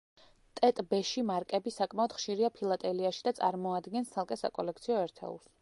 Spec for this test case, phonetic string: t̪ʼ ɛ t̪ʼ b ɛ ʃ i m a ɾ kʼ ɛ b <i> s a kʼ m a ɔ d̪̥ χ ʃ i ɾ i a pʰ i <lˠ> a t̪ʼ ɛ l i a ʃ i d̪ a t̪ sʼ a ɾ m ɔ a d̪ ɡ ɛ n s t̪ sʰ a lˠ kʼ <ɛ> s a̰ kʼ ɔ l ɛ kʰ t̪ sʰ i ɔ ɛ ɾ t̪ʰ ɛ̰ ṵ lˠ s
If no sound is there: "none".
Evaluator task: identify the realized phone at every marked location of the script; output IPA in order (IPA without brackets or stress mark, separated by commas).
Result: i, lˠ, ɛ